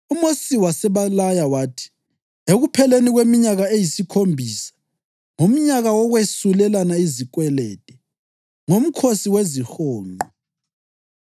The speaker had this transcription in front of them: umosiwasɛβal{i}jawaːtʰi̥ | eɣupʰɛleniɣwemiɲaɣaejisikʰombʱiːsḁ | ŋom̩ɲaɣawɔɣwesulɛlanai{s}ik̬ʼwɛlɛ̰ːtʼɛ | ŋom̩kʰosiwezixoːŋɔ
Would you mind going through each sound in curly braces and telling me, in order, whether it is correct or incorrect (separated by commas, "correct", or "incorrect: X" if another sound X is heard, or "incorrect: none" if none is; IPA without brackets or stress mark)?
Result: incorrect: a, incorrect: z